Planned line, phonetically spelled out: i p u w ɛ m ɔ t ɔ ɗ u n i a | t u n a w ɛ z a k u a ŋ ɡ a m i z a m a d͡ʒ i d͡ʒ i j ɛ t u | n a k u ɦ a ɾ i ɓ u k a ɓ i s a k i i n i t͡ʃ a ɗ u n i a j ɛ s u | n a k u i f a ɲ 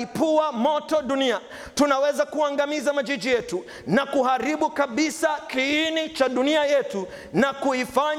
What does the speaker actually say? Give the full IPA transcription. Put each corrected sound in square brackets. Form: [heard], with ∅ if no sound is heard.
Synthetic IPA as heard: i p u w [a] m ɔ t ɔ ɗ u n i a | t u n a w ɛ z a k u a ŋ ɡ a m i z a m a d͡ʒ i d͡ʒ i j ɛ t u | n a k u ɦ a ɾ i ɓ u k a ɓ i s a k i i n i t͡ʃ a ɗ u n i a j ɛ [t] u | n a k u i f a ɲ